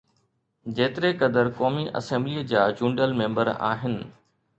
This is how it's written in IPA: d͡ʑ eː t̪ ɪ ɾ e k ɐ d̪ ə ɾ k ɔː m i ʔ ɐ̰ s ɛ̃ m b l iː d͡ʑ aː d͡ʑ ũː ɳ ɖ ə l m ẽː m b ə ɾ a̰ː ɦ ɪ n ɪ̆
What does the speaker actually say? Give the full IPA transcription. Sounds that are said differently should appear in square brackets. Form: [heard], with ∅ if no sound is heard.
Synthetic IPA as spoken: d͡ʑ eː t̪ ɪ ɾ e k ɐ d̪ ə ɾ k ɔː m i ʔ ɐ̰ s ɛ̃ m b l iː d͡ʑ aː d͡ʑ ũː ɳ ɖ ə l m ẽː m b ə ɾ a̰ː ɦ ɪ n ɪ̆